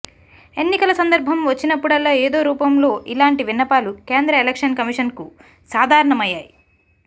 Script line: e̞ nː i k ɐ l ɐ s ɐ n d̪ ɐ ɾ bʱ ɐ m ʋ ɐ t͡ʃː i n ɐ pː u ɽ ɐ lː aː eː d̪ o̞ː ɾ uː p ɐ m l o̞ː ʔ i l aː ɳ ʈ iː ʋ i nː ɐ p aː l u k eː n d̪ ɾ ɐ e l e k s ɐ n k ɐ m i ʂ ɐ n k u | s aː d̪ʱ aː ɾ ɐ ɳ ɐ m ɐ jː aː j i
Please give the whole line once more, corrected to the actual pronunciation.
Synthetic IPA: e̞ nː i k ɐ l ɐ s ɐ n d̪ ɐ ɾ bʱ ɐ m ʋ ɐ t͡ʃː i n ɐ pː u ɽ ɐ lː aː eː d̪ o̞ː ɾ uː p ɐ m l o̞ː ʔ i l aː ɳ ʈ i ʋ i nː ɐ p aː l u k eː n d̪ ɾ ɐ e l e k ʂ ɐ n k ɐ m i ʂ ɐ n k u | s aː d̪ʱ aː ɾ ɐ ɳ ɐ m ɐ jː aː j i